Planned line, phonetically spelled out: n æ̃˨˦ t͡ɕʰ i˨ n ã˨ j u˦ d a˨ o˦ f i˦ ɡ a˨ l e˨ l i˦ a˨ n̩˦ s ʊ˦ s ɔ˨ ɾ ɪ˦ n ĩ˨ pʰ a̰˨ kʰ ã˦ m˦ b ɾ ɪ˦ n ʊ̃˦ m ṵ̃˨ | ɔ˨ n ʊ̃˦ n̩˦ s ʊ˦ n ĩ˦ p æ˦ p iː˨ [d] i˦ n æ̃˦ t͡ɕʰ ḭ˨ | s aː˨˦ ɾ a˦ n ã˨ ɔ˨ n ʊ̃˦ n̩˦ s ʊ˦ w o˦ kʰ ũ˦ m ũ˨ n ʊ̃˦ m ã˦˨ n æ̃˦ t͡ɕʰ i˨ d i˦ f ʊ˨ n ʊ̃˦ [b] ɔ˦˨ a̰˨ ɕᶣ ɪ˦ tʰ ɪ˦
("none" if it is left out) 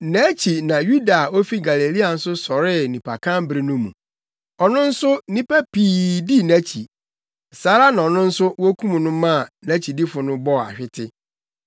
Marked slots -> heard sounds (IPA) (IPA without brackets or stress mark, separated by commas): d, b